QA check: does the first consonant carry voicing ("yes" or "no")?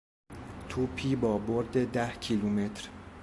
no